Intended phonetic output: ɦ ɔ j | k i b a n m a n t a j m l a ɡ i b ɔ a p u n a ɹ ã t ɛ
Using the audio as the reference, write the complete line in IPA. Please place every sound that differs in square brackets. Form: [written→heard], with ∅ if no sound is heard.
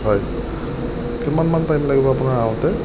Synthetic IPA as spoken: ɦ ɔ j | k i [b→m] a n m a n t a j m l a ɡ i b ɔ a p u n a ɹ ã t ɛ